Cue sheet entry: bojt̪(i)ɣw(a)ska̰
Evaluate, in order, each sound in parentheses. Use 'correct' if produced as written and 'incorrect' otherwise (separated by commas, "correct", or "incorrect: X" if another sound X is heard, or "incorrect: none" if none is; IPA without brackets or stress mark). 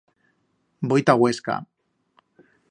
incorrect: a, incorrect: e